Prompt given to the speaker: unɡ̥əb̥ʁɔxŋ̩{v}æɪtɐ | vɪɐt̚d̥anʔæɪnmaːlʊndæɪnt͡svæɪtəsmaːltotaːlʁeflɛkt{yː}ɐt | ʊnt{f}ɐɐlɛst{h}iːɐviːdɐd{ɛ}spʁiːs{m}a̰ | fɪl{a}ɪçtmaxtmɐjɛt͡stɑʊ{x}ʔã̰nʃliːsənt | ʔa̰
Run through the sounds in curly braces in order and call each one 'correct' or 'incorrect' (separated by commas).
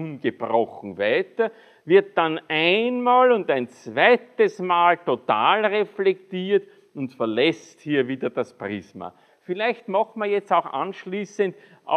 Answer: correct, incorrect, correct, correct, incorrect, correct, incorrect, correct